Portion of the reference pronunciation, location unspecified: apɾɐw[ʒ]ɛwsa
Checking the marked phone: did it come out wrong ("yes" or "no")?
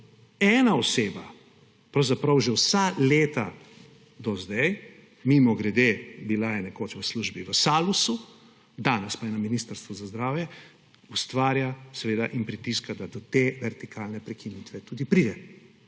no